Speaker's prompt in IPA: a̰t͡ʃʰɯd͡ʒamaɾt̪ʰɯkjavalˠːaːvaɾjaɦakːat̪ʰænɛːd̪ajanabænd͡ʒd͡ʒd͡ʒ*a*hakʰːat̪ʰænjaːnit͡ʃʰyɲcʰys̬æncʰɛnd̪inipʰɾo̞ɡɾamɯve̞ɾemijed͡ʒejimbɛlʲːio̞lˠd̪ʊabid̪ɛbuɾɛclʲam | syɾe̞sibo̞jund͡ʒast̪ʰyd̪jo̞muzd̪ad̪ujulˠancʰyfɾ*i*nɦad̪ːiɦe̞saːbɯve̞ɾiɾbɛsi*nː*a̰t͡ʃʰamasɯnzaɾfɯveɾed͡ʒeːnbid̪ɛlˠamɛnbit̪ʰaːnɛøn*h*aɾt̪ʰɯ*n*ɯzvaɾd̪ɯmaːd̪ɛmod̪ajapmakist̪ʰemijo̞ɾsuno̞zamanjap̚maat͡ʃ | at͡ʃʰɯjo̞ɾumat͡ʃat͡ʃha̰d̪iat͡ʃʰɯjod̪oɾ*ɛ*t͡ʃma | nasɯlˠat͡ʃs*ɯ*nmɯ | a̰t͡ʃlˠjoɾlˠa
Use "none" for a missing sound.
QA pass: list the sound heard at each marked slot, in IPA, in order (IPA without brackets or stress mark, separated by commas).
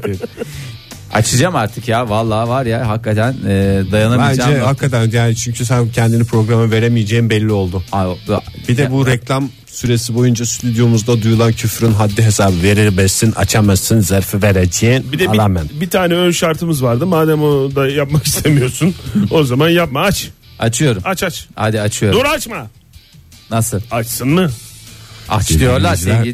ɛ, y, n, ʃ, m, a, ɯ